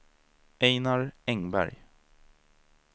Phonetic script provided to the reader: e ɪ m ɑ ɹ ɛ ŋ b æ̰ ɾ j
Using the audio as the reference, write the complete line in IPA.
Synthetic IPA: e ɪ n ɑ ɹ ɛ ŋ b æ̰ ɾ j